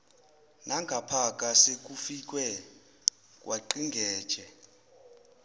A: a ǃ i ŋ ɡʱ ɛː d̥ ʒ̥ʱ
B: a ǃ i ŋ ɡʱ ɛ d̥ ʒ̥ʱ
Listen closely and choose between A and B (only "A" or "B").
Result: A